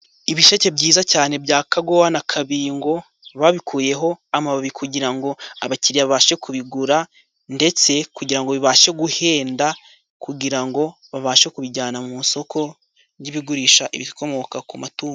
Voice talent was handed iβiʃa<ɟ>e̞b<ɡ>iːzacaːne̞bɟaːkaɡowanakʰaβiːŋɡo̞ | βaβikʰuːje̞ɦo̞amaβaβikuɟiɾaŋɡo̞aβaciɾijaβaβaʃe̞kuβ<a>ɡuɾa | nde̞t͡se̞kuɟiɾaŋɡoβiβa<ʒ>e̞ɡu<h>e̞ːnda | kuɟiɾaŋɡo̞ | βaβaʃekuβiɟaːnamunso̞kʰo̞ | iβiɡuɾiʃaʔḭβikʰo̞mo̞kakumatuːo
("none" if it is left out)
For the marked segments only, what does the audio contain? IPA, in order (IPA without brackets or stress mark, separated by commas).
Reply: c, ɟ, i, ʃ, h